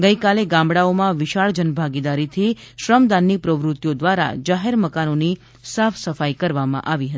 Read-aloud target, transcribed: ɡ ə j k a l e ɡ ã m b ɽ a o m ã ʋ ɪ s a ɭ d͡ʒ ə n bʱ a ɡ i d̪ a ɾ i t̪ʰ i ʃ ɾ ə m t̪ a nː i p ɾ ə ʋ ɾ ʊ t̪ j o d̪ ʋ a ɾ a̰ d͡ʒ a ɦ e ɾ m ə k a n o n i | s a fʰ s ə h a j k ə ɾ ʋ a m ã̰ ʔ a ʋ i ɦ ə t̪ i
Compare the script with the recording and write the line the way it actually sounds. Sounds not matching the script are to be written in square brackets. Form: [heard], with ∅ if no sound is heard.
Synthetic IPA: ɡ ə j k a l e ɡ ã m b ɽ a o m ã ʋ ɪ [ʃ] a ɭ d͡ʒ ə n bʱ a ɡ i d̪ a ɾ i t̪ʰ i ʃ ɾ ə m [d̪] a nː i p ɾ ə ʋ ɾ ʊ t̪ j o d̪ ʋ a ɾ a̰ d͡ʒ a ɦ e ɾ m ə k a n o n i | s a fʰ s ə [f] a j k ə ɾ ʋ a m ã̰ ʔ a ʋ i ɦ ə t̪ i